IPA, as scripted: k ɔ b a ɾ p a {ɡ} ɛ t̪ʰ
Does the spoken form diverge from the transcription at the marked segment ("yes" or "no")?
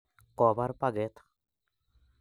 no